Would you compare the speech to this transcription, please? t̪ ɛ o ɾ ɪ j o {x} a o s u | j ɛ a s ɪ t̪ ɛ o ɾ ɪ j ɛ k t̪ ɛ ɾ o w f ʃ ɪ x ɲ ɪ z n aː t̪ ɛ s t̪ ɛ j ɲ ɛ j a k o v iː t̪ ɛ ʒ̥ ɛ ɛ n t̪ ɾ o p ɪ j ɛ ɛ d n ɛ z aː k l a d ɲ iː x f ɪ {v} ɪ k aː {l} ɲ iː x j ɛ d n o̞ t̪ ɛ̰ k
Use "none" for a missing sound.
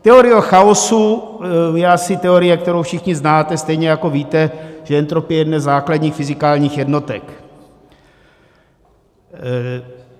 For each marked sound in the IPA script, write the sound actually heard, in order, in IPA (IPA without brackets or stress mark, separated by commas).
x, z, l